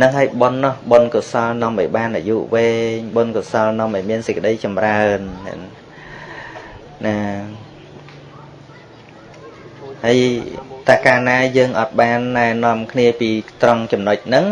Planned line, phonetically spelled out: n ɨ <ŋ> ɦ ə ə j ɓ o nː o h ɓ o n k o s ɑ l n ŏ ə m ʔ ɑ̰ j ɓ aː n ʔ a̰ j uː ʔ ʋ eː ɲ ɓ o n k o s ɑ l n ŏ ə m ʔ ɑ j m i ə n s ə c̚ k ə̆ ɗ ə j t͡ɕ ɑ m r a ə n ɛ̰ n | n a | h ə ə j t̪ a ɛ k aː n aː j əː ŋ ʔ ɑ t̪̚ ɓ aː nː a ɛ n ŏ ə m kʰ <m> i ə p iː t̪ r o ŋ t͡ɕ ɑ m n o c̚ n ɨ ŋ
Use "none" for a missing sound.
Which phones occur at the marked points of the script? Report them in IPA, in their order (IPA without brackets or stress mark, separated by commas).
ŋ, n